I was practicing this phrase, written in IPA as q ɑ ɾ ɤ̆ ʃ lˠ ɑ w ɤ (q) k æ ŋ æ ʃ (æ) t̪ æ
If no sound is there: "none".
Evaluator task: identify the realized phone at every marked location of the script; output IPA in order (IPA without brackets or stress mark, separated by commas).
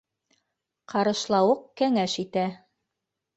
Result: q, i